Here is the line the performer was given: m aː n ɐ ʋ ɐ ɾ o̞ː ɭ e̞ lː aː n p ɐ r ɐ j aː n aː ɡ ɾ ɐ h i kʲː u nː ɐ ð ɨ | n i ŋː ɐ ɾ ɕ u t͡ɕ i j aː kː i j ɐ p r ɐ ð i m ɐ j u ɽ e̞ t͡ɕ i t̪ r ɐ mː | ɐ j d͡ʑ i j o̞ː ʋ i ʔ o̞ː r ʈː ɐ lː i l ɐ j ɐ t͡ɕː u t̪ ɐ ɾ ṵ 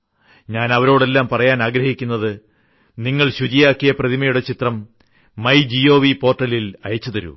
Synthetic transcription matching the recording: ɲ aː n ɐ ʋ ɐ ɾ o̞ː ɽ e̞ lː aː m p ɐ r ɐ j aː n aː ɡ ɾ ɐ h i kʲː u nː ɐ ð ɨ | n i ŋː ɐ ɭ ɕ u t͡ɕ i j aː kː i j ɐ p r ɐ ð i m ɐ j u ɽ e̞ t͡ɕ i t̪ r ɐ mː | ɐ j d͡ʑ i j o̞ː ʋ i p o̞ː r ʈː ɐ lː i l ɐ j ɐ t͡ɕː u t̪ ɐ ɾ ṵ